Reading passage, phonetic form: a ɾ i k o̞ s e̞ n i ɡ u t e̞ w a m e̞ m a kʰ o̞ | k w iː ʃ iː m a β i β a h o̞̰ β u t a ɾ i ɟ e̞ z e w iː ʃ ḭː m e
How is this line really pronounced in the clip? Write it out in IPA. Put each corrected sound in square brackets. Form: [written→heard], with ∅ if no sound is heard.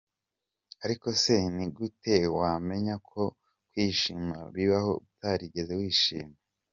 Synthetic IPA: a ɾ i k o̞ s e̞ n i ɡ u t e̞ w a m e̞ [m→ɲ] a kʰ o̞ | k w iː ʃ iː m a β i β a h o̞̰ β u t a ɾ i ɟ e̞ z e w iː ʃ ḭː m e